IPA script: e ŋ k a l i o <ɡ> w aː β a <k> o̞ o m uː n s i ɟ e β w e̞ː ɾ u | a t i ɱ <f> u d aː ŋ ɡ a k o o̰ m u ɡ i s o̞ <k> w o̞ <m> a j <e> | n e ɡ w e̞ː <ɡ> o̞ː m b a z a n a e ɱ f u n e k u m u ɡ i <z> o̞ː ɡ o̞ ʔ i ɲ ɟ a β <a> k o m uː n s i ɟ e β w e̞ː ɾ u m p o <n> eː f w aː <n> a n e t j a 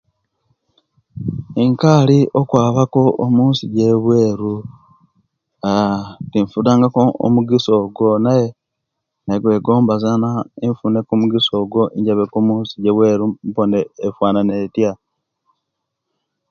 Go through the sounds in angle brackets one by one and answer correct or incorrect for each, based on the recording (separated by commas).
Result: incorrect, correct, correct, incorrect, incorrect, correct, correct, incorrect, incorrect, correct, correct